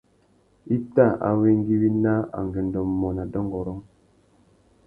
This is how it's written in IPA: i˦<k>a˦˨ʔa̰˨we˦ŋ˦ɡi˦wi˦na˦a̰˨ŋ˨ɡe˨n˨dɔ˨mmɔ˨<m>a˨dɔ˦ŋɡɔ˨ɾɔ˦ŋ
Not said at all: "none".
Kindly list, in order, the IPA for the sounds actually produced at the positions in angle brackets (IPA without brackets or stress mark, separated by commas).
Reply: t, n